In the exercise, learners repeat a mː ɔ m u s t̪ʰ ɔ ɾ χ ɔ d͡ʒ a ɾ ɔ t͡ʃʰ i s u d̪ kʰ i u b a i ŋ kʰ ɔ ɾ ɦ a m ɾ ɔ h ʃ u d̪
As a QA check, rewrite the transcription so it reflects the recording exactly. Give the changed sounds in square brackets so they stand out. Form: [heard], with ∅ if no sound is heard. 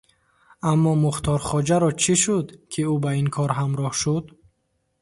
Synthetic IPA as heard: a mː ɔ m u [χ] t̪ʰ ɔ ɾ χ ɔ d͡ʒ a ɾ ɔ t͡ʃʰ i [ʃ] u d̪ kʰ i u b a i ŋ kʰ ɔ ɾ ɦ a m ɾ ɔ h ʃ u d̪